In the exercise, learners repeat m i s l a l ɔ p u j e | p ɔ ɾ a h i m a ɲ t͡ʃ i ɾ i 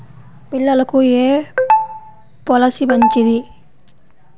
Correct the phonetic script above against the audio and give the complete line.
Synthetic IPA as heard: b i l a l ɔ k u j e | p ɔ l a s i b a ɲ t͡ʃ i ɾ i